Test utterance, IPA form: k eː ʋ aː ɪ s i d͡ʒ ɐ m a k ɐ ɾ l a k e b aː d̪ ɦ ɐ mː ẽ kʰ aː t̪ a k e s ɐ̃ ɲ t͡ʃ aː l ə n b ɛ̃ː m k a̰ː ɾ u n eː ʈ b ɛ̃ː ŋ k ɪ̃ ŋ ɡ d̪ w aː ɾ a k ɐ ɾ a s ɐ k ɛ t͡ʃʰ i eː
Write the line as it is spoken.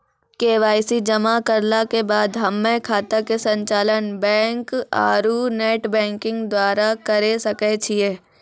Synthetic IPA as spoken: k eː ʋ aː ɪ s i d͡ʒ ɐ m a k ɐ ɾ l a k e b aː d̪ ɦ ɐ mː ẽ kʰ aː t̪ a k e s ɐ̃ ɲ t͡ʃ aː l ə n b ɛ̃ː ŋ k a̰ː ɾ u n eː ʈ b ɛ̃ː ŋ k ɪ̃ ŋ ɡ d̪ w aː ɾ a k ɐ ɾ e s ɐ k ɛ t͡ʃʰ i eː